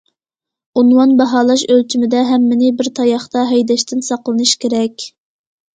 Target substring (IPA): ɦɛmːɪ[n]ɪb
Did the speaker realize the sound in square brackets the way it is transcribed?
yes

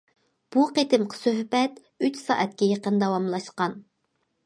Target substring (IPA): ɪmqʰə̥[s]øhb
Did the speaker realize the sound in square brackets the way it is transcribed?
yes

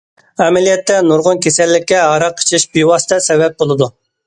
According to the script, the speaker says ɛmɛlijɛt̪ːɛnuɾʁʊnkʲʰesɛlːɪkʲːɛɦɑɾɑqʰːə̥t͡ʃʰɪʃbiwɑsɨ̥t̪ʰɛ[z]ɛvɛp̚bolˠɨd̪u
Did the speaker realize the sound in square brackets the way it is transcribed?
no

